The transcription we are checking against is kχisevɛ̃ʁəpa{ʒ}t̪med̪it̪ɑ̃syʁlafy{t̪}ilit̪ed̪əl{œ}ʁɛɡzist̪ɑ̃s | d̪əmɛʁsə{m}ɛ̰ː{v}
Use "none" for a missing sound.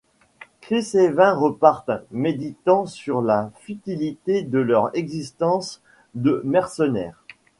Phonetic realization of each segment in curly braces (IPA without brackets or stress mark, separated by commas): ʁ, t̪, œ, n, ʁ